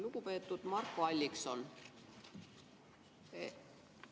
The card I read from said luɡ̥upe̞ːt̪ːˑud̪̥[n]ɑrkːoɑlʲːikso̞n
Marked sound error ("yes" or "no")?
yes